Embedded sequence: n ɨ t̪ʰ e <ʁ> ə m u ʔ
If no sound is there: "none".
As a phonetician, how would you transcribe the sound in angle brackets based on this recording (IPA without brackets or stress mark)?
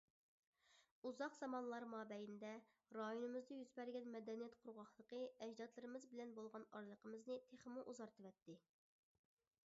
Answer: χ